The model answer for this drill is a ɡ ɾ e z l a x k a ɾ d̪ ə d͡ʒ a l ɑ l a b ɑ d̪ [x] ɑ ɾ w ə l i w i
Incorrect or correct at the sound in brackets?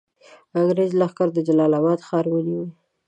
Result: correct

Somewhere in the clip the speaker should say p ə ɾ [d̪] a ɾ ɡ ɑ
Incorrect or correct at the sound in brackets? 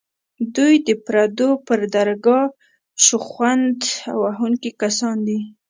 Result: correct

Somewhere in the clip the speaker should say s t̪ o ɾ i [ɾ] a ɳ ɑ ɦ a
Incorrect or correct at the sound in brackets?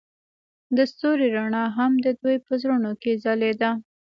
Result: correct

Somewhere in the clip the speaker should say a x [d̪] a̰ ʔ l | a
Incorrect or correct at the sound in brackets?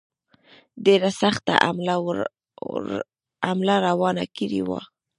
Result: incorrect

